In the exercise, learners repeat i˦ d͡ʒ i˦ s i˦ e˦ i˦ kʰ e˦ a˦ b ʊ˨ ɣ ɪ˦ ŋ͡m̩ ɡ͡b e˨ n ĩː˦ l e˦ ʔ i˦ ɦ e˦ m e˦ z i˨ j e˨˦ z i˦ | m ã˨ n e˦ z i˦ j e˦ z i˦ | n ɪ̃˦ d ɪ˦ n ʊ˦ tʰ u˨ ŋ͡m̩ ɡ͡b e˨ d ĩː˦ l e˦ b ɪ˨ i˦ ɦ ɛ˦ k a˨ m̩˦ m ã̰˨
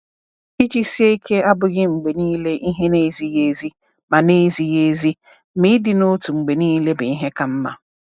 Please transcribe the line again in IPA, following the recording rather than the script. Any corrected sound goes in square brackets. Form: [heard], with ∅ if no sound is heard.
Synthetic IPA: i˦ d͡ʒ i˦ s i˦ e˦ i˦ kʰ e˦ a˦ b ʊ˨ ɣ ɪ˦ ŋ͡m̩ ɡ͡b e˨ n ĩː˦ l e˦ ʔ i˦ ɦ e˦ [n] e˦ z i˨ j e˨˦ z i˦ | m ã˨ n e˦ z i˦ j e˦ z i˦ | [m] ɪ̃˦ d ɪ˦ n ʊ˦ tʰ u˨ ŋ͡m̩ ɡ͡b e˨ [n] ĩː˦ l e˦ b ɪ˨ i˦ ɦ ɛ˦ k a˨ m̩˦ m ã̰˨